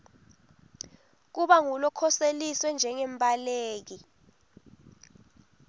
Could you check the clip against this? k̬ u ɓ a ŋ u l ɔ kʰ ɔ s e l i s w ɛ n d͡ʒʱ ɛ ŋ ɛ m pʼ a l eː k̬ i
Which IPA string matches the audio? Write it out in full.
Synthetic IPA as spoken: k̬ u ɓ a ŋ u l ɔ kʰ ɔ s e l i s w ɛ n d͡ʒʱ ɛ ŋ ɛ m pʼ a l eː k̬ i